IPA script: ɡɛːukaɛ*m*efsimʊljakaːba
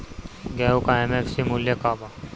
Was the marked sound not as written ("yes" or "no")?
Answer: no